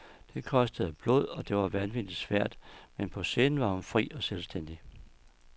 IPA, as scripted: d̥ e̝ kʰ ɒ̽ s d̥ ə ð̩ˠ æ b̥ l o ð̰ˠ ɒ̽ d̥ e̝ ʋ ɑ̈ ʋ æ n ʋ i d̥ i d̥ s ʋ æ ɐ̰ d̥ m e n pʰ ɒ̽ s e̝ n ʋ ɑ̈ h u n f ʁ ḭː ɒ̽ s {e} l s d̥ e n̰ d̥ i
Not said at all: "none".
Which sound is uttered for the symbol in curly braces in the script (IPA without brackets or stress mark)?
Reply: e